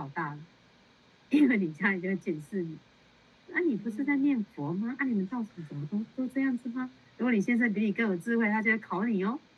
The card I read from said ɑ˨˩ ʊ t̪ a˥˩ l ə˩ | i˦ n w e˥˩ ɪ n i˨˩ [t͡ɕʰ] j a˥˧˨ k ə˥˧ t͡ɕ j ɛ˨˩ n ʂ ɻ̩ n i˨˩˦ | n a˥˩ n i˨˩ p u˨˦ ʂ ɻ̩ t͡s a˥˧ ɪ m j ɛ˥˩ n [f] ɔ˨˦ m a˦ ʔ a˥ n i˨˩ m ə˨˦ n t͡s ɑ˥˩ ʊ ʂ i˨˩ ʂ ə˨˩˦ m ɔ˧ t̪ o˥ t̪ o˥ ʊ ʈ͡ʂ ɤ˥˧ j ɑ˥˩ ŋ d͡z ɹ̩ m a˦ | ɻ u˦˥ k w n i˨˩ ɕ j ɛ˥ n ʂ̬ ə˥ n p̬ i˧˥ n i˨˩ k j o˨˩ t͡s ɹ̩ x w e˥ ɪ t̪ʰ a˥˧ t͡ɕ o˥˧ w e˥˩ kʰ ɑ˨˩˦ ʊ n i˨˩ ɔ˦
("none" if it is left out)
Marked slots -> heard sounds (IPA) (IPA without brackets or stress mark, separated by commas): t͡ɕ, f